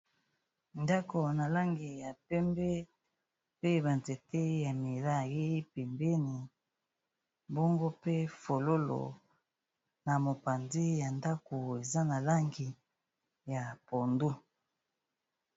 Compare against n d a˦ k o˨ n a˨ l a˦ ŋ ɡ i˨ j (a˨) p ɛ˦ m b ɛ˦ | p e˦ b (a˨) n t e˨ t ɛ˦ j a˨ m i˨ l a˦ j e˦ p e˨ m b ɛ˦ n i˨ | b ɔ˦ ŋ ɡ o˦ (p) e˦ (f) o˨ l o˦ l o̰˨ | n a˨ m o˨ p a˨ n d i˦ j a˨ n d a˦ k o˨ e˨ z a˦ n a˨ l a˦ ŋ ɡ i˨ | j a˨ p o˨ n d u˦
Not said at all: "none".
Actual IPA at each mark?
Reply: a˨, a˨, p, f

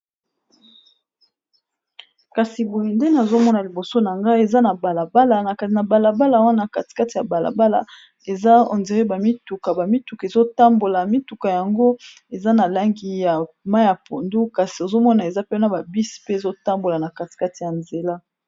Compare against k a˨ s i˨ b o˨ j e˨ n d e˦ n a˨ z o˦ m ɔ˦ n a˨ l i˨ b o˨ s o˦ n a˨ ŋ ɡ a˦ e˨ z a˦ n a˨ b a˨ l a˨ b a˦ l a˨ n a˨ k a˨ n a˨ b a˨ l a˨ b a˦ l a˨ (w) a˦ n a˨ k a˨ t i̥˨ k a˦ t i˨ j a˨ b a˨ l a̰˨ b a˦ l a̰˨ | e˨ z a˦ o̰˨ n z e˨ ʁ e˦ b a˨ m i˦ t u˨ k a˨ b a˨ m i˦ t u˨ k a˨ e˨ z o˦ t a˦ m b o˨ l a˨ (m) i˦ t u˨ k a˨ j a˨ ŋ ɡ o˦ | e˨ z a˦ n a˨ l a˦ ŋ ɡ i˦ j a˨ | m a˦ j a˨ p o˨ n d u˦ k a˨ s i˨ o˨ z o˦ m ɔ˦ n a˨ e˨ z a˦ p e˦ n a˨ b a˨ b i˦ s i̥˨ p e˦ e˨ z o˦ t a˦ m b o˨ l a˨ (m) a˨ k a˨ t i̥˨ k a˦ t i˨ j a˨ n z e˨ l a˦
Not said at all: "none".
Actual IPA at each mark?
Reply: w, m, n

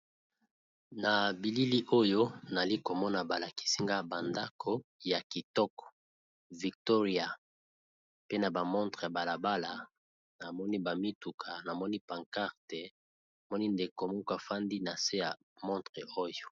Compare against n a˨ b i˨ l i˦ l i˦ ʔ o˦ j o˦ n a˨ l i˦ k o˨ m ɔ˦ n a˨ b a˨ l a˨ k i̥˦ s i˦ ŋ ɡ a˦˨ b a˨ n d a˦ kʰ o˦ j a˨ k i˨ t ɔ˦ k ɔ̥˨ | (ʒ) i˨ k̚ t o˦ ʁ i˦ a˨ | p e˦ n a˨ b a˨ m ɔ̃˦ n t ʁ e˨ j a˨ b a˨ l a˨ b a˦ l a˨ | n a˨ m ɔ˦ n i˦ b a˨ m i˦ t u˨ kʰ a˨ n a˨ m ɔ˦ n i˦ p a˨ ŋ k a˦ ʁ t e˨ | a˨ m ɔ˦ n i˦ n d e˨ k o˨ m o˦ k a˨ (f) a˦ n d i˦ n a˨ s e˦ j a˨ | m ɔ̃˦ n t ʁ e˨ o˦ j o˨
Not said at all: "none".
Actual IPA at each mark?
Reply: v, f

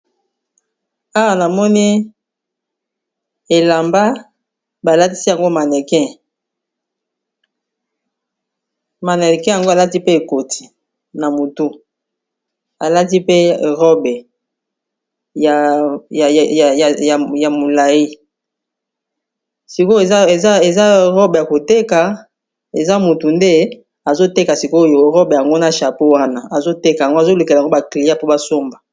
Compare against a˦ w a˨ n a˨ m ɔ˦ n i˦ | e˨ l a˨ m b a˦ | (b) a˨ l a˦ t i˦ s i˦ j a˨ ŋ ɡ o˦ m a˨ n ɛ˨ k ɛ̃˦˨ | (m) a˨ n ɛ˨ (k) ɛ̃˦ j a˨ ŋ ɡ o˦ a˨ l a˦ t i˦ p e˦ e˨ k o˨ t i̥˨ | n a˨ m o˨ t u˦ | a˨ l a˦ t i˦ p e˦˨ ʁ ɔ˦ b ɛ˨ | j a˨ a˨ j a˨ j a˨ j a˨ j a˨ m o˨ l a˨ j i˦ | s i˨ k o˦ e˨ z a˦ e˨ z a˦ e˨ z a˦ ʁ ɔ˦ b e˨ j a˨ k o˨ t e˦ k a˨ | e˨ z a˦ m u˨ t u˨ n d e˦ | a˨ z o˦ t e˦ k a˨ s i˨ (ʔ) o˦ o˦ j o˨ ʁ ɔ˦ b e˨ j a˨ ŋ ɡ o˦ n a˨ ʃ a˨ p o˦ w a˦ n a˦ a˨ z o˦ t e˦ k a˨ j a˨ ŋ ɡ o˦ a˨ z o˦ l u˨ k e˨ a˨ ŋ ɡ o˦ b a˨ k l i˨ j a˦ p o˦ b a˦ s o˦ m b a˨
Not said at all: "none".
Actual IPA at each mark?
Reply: b, m, k, k

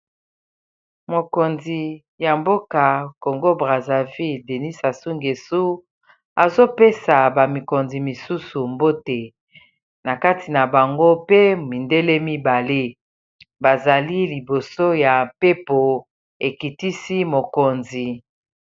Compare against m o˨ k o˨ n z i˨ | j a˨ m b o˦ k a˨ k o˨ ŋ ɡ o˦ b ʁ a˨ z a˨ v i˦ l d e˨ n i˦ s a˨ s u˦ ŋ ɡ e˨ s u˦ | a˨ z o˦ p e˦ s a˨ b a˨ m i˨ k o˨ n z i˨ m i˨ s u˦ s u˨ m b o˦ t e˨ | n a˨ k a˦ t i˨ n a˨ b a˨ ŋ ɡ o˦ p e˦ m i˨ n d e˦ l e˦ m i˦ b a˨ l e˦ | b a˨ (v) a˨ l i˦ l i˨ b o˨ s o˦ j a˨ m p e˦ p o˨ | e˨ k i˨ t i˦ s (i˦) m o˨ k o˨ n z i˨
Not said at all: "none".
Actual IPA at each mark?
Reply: z, i˦

